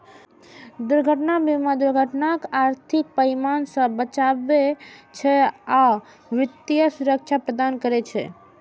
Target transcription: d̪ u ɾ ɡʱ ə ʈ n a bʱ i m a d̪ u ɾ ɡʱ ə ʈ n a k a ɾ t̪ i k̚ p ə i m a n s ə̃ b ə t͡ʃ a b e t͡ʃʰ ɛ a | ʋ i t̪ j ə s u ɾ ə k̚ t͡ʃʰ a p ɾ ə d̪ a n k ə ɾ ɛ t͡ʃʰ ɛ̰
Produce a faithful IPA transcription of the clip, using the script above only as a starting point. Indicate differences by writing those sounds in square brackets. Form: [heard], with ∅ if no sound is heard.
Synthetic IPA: d̪ u ɾ ɡʱ ə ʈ n a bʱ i m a d̪ u ɾ ɡʱ ə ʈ n a k a ɾ [t̪ʰ] i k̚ p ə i m a n s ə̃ b ə t͡ʃ a b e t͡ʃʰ ɛ a | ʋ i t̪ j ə s u ɾ ə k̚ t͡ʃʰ a p ɾ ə d̪ a n k ə ɾ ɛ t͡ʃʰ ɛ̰